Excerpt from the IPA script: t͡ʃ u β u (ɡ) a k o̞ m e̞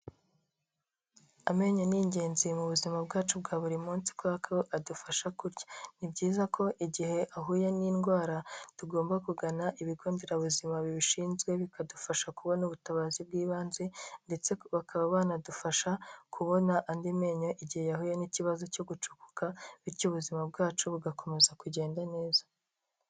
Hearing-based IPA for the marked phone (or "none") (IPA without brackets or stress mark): ɡ